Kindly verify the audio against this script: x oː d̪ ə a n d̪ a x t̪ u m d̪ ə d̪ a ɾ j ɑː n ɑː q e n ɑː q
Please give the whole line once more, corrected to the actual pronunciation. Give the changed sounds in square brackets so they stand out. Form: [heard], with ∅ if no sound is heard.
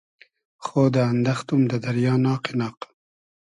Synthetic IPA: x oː d̪ ə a n d̪ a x t̪ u m d̪ ə d̪ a ɾ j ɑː n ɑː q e n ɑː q